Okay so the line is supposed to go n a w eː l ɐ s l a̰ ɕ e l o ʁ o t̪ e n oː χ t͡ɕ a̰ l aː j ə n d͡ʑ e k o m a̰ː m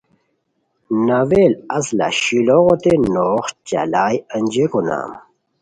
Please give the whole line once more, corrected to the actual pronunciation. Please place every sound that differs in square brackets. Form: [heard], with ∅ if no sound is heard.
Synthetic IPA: n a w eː l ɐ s l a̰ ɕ [i] l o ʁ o t̪ e n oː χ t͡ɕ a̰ l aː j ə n d͡ʑ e k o [n] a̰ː m

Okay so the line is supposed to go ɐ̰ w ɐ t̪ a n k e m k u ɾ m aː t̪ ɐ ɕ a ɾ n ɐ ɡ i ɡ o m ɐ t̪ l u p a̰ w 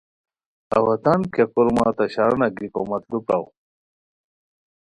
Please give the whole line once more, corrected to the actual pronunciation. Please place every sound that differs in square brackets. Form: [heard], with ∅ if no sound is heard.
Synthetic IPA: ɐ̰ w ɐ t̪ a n k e [∅] k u ɾ m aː t̪ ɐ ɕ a ɾ n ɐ ɡ i [k] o m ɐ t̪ l u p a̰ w

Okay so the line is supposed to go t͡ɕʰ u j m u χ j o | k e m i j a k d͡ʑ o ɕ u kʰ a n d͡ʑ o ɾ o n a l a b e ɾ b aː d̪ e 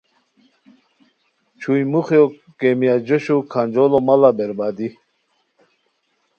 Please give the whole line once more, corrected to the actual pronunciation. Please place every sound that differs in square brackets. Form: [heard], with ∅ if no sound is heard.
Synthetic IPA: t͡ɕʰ u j m u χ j o | k e m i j a [∅] d͡ʑ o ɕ u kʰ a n d͡ʑ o [l] o [m] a l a b e ɾ b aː d̪ [i]

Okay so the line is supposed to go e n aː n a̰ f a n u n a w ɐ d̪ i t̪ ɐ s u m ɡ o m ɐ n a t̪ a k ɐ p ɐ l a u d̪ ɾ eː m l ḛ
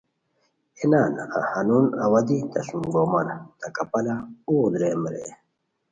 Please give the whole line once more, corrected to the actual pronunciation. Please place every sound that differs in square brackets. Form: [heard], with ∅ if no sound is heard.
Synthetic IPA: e n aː n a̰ [h] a n u n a w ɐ d̪ i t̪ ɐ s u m ɡ o m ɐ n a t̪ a k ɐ p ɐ l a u d̪ ɾ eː m [ɾ] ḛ

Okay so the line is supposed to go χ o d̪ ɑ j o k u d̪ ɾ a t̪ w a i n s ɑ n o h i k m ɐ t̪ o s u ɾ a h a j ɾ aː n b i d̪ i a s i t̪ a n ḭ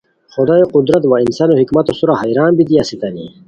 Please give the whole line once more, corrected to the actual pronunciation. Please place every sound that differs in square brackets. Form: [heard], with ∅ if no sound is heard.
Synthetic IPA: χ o d̪ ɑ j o [q] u d̪ ɾ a t̪ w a i n s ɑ n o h i k m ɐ t̪ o s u ɾ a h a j ɾ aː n b i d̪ i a s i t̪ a n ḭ

